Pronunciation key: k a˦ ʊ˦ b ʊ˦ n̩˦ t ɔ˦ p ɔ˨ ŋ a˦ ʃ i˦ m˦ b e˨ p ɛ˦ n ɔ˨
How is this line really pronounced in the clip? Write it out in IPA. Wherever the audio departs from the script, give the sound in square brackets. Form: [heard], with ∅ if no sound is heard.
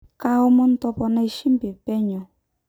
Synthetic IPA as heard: k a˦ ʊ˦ [m] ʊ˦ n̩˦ t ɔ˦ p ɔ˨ [n] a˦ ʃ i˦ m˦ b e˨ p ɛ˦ [ɲ] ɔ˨